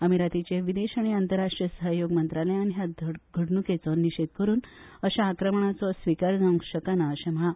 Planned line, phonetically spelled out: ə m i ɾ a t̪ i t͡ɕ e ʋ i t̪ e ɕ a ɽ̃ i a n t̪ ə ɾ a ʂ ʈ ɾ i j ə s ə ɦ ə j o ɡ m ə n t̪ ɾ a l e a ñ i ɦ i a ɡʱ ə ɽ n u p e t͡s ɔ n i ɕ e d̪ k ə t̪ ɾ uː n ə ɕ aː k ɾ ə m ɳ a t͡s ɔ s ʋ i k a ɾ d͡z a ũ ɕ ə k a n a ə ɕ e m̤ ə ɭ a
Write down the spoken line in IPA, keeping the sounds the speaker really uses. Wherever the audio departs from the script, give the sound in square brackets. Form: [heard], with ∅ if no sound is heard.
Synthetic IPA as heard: ə m i ɾ a t̪ i t͡ɕ e ʋ i [d̪] e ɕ a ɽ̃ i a n t̪ ə ɾ a ʂ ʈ ɾ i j ə s ə ɦ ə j o ɡ m ə n t̪ ɾ a l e a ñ i ɦ [j] a ɡʱ ə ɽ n u [k] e t͡s ɔ n i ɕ e d̪ k ə [∅] ɾ uː n ə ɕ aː k ɾ ə m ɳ a t͡s ɔ s ʋ i k a ɾ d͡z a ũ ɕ ə k a n a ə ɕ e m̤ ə ɭ a